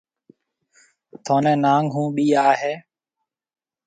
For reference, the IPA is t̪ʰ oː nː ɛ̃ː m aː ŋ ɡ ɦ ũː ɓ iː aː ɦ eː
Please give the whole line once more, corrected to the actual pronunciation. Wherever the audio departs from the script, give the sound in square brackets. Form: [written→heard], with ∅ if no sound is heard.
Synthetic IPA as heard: t̪ʰ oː [nː→n] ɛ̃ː [m→n] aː ŋ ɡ ɦ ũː ɓ iː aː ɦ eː